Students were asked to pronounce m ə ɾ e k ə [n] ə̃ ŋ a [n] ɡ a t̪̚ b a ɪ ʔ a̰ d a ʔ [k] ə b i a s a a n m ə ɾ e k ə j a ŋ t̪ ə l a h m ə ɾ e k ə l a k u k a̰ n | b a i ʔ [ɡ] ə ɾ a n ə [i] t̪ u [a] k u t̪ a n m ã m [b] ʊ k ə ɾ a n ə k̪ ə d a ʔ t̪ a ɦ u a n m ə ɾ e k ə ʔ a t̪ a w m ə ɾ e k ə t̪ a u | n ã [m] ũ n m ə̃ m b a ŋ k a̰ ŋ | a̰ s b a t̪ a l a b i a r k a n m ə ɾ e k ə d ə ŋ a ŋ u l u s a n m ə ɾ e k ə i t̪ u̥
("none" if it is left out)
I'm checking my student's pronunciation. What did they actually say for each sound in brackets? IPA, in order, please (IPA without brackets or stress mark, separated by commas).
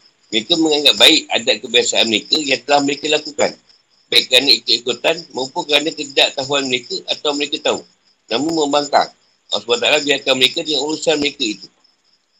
m, ŋ, k, k, i, i, p, m